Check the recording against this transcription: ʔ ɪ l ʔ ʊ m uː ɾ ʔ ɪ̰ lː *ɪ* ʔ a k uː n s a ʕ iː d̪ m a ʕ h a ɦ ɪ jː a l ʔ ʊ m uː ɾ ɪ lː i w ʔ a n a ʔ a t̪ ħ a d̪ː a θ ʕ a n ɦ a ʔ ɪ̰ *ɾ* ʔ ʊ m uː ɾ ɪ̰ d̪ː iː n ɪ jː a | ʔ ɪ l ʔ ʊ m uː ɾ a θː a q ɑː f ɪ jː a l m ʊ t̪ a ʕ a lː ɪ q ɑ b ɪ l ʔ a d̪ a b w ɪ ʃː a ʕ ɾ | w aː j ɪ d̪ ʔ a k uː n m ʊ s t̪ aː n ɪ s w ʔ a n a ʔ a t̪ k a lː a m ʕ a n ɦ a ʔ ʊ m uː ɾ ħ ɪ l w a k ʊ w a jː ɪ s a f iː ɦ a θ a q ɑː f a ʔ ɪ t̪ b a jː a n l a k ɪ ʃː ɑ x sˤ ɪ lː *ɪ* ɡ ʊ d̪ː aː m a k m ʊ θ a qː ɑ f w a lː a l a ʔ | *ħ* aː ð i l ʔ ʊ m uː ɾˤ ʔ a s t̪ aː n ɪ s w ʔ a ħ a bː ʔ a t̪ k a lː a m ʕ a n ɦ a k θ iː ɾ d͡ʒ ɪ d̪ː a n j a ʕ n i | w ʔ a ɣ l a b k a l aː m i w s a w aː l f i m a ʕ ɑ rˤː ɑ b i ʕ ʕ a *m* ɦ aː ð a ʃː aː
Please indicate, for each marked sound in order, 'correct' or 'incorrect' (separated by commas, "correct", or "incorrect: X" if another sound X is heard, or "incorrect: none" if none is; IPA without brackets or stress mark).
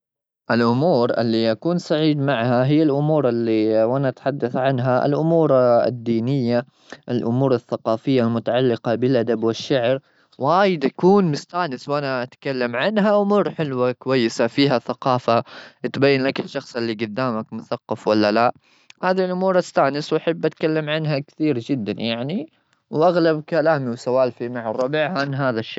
incorrect: i, incorrect: l, incorrect: i, incorrect: h, incorrect: n